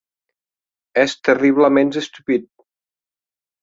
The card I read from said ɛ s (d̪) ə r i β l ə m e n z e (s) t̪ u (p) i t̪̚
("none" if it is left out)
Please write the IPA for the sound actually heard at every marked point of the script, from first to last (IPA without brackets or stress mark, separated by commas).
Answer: t̪, s, p